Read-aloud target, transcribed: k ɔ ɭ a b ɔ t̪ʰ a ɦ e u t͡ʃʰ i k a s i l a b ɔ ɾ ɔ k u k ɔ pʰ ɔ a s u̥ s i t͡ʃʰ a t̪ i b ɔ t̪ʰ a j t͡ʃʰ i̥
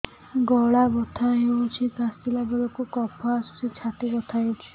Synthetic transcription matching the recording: ɡ ɔ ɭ a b ɔ t̪ʰ a ɦ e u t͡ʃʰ i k a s i l a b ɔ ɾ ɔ k u k ɔ pʰ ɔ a s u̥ s i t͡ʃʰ a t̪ i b ɔ t̪ʰ a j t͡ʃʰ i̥